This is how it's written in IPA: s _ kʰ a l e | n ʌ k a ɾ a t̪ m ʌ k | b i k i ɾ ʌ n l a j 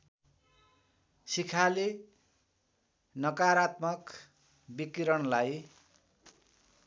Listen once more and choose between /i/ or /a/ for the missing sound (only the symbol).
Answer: i